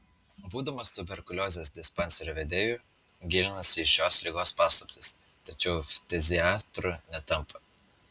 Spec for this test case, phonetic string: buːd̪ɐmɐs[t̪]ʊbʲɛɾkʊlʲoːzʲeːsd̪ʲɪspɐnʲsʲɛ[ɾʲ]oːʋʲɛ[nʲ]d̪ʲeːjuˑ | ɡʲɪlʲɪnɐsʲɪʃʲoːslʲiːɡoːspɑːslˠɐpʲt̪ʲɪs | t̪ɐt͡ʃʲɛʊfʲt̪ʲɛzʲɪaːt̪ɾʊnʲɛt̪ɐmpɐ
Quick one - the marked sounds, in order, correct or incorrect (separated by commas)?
correct, correct, incorrect